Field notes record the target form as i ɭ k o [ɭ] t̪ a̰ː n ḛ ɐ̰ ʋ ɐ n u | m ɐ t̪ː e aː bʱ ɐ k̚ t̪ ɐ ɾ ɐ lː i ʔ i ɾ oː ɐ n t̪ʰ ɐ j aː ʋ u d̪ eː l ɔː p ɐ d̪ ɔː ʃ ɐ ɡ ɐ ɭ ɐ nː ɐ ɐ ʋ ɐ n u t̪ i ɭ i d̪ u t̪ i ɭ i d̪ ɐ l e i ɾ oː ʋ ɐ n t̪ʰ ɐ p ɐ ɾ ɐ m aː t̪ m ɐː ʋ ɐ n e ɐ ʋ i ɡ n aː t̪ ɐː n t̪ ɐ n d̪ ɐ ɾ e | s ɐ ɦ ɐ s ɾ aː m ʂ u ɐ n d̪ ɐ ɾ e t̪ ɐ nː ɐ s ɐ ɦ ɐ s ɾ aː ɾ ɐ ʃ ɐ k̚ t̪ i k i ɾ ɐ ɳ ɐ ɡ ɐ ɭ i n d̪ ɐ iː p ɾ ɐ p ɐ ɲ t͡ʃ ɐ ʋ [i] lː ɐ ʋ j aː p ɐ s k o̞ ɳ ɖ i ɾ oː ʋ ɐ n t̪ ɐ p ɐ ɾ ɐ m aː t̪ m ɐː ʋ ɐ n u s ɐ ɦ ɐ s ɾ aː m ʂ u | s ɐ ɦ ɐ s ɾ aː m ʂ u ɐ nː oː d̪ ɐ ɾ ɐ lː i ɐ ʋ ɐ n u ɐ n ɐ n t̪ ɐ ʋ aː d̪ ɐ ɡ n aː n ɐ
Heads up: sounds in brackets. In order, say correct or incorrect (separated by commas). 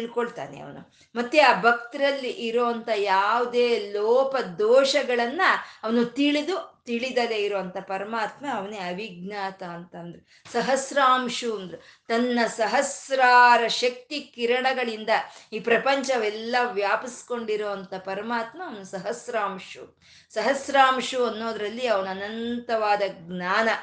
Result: correct, incorrect